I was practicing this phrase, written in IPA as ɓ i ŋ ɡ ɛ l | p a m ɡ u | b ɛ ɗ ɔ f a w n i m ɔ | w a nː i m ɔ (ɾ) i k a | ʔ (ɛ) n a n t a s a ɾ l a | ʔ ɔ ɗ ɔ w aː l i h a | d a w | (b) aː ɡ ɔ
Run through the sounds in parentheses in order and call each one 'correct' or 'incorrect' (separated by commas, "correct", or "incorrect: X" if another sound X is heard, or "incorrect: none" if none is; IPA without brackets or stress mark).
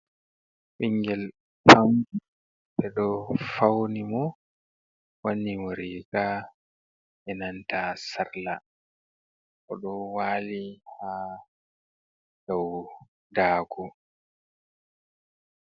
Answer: correct, correct, incorrect: d